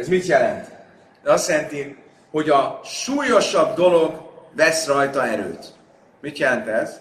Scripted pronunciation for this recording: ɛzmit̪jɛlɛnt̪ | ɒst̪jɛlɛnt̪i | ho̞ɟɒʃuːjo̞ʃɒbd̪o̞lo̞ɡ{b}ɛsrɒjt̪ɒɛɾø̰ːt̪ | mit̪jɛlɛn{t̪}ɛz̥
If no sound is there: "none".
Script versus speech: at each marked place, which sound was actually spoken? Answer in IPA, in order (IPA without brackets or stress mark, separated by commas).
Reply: v, t̪